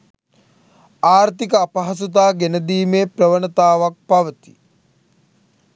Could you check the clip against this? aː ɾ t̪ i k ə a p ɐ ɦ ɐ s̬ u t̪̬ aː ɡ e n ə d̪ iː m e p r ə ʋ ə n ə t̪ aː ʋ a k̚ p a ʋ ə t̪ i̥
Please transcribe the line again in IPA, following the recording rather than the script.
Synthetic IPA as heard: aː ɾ t̪ i k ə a p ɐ ɦ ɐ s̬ u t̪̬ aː ɡ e n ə d̪ iː m e p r ə ʋ ə n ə t̪ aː ʋ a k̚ p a ʋ ə t̪ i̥